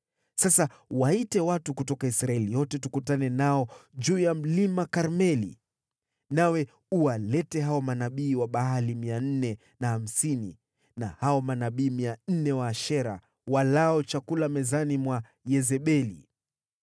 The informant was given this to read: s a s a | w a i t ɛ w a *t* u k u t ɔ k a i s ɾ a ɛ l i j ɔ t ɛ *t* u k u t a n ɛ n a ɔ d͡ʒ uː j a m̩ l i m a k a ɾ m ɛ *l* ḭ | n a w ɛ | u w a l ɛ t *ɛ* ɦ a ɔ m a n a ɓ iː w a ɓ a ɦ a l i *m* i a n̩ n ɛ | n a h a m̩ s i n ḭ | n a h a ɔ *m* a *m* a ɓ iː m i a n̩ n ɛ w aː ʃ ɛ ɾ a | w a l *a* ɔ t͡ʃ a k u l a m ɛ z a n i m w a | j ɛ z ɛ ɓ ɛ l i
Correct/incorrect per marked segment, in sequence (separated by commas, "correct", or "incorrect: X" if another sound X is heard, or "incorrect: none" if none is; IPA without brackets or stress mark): correct, correct, correct, correct, correct, correct, incorrect: n, correct